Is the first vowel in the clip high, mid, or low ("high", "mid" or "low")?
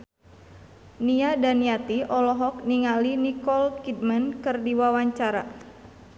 high